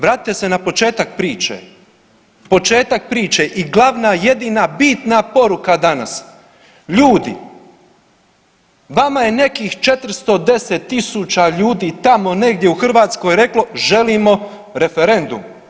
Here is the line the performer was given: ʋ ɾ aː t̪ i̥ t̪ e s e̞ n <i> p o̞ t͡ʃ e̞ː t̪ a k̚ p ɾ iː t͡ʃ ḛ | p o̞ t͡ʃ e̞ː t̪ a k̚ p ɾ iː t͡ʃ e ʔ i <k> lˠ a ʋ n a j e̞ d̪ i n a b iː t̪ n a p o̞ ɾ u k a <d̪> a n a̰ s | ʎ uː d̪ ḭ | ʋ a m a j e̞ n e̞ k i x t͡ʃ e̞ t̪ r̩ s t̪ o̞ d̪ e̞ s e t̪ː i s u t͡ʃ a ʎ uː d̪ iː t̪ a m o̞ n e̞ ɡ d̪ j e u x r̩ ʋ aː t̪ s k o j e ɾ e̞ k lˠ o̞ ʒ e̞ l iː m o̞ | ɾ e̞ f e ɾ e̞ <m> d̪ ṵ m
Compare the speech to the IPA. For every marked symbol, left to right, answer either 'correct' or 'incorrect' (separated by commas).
incorrect, incorrect, correct, incorrect